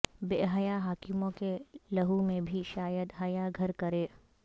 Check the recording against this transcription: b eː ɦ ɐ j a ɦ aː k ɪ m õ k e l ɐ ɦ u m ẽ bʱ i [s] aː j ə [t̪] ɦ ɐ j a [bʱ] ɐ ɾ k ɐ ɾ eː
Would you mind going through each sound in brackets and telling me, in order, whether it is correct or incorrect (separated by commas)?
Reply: incorrect, incorrect, incorrect